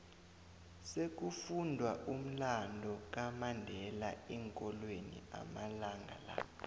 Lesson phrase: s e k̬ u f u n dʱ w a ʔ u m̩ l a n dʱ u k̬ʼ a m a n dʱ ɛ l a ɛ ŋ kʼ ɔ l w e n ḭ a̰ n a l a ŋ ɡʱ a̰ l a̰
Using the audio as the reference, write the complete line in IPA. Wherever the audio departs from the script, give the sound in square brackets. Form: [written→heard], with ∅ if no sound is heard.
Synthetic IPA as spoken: s e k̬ u f u n dʱ w a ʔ u m̩ l a n dʱ [u→ɔ] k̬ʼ a m a n dʱ ɛ l a ɛ ŋ kʼ ɔ l w e n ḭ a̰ [n→m] a l a ŋ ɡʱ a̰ l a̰

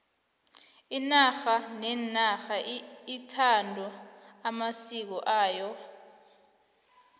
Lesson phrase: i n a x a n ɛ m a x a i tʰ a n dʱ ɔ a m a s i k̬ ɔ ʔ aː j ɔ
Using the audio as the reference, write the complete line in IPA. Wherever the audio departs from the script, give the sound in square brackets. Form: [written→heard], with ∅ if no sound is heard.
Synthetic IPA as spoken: i n a x a n ɛ [m→n] a x a i tʰ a n dʱ ɔ a m a s i k̬ ɔ ʔ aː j ɔ

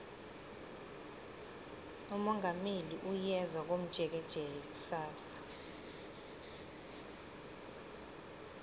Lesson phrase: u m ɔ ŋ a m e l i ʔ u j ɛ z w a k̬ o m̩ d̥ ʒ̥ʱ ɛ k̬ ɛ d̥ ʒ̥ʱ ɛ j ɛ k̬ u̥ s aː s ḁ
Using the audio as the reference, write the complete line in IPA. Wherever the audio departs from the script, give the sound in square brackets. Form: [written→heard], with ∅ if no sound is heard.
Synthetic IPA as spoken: u m ɔ ŋ a m e l i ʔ u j ɛ z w a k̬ o m̩ d̥ ʒ̥ʱ ɛ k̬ ɛ d̥ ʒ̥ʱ ɛ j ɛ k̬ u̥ s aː s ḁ

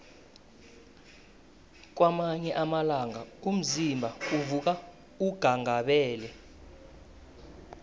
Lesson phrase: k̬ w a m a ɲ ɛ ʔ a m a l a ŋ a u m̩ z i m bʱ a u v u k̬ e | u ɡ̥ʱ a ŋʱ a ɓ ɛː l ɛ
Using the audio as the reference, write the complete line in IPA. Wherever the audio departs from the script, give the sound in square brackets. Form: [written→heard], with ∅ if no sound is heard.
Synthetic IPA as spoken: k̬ w a m a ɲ ɛ ʔ a m a l a ŋ a u m̩ z i m bʱ a u v u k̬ [e→a] | u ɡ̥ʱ a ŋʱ a ɓ ɛː l ɛ

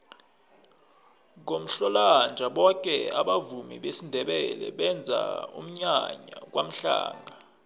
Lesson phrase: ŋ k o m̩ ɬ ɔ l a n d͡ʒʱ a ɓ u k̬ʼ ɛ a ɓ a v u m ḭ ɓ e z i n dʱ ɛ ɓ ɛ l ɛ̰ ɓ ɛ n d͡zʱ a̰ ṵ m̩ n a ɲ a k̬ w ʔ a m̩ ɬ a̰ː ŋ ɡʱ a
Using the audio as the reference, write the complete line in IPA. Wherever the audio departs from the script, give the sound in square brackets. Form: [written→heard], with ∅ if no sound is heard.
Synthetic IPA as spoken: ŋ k o m̩ ɬ ɔ l a n d͡ʒʱ a ɓ [u→ɔ] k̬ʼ ɛ a ɓ a v u m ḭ ɓ e [z→s] i n dʱ ɛ ɓ ɛ l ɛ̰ ɓ ɛ n d͡zʱ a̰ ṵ m̩ [n→ɲ] a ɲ a k̬ w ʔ a m̩ ɬ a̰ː ŋ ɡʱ a

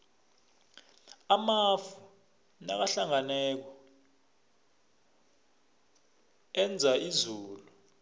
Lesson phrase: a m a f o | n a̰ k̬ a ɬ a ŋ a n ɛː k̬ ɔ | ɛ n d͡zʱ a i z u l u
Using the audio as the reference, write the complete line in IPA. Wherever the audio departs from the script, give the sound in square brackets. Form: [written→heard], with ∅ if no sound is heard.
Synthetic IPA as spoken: a m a f [o→u] | n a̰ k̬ a ɬ a ŋ a n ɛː k̬ ɔ | ɛ n d͡zʱ a i z [u→uː] l u

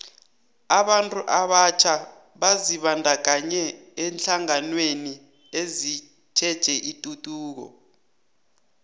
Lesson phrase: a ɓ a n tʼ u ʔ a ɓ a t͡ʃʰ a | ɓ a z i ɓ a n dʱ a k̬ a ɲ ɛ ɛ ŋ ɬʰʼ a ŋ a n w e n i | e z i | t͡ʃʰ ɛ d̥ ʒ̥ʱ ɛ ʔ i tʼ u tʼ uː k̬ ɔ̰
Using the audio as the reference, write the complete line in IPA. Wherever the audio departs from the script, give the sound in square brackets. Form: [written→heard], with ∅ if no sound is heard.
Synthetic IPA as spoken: a ɓ a n tʼ u ʔ a ɓ a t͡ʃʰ a | ɓ a z i ɓ a n dʱ a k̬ a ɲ ɛ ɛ [ŋ→n] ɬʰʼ a ŋ a n w e n i | e z i | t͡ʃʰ ɛ d̥ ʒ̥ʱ ɛ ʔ i tʼ u tʼ uː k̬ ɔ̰

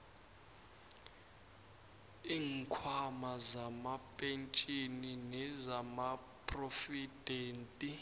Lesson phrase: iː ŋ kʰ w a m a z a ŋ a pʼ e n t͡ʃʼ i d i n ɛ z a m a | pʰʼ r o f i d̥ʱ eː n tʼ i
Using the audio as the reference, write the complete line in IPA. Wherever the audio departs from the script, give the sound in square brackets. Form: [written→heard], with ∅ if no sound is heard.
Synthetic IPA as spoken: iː ŋ kʰ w a m a z a [ŋ→m] a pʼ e n t͡ʃʼ i [d→n] i n ɛ z a m a | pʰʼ r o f i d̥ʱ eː n tʼ i

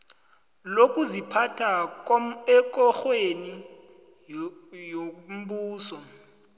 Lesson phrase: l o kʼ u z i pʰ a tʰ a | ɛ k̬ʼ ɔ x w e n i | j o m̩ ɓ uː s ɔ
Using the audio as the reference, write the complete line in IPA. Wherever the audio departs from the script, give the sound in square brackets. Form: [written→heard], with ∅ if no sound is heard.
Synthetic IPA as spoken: l o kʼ u z i pʰ a tʰ a | ɛ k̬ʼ ɔ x w e n i | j o m̩ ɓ uː s ɔ

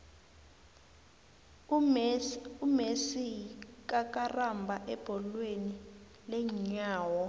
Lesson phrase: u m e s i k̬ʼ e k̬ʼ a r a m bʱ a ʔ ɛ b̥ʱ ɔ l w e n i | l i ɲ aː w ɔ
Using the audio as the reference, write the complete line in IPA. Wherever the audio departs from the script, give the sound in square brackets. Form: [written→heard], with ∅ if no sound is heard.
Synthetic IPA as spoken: u m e s i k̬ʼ [e→a] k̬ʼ a r a m bʱ a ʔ ɛ b̥ʱ ɔ l w e n i | l [i→ɛ] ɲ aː w ɔ

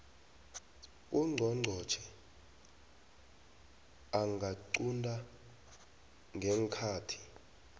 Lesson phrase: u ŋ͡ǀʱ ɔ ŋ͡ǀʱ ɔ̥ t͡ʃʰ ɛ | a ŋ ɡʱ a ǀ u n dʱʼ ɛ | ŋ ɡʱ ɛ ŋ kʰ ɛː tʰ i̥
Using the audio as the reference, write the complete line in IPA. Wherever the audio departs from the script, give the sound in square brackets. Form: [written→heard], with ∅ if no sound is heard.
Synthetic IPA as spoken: u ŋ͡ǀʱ ɔ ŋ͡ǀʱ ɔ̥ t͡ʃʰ ɛ | a ŋ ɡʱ a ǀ u n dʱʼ [ɛ→a] | ŋ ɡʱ ɛ ŋ kʰ [ɛː→aː] tʰ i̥

